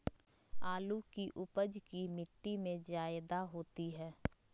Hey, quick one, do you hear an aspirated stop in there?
no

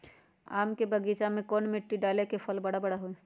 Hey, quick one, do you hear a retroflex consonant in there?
yes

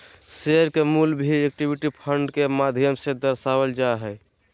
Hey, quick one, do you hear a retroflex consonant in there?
yes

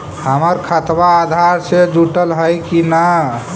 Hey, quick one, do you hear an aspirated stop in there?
yes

